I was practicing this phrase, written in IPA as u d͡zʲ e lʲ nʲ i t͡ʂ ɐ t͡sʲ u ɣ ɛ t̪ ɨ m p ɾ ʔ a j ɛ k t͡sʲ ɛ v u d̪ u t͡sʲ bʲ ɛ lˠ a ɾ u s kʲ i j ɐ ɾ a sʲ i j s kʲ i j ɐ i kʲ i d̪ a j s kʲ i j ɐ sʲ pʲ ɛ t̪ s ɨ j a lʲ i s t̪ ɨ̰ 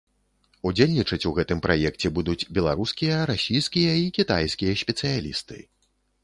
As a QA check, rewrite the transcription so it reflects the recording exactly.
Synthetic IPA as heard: u d͡zʲ e lʲ nʲ i t͡ʂ ɐ t͡sʲ u ɣ ɛ t̪ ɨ m p ɾ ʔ a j ɛ k t͡sʲ ɛ b u d̪ u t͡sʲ bʲ ɛ lˠ a ɾ u s kʲ i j ɐ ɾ a sʲ i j s kʲ i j ɐ i kʲ i t̪ a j s kʲ i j ɐ sʲ pʲ ɛ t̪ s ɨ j a lʲ i s t̪ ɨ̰